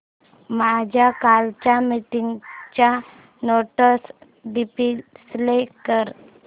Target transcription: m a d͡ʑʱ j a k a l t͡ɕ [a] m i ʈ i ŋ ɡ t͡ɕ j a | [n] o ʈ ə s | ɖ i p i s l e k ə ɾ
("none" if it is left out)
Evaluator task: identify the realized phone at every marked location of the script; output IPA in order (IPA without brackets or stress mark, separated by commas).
a, n